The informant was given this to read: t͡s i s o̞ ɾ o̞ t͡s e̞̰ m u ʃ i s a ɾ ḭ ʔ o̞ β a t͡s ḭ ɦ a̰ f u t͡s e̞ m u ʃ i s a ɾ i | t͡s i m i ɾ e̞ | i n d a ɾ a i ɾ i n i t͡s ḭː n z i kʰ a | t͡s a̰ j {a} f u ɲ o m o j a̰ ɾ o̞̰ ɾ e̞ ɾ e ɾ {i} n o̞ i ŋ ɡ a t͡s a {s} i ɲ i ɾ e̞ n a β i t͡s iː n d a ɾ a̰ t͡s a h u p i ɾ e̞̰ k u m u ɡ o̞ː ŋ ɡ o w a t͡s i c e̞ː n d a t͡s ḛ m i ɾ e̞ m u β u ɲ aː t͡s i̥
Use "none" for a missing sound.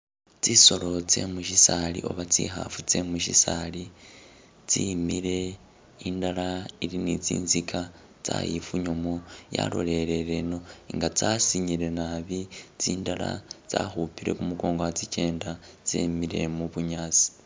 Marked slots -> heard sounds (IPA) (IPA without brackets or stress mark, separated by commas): i, e, s